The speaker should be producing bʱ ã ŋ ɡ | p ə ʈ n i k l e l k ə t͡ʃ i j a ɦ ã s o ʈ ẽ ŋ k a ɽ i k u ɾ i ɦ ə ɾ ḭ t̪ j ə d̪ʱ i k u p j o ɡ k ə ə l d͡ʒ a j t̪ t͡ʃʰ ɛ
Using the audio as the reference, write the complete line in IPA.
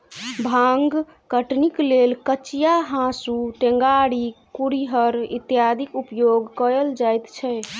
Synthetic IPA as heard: bʱ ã ŋ ɡ | k ə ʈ n i k l e l k ə t͡ʃ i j a ɦ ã s u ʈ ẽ ŋ ɡ a ɽ i k u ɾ i ɦ ə ɾ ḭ t̪ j a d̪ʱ i k u p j o ɡ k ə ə l d͡ʒ a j t̪ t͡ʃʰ ɛ